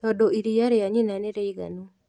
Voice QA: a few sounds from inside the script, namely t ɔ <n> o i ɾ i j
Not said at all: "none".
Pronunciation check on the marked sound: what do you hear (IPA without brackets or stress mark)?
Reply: d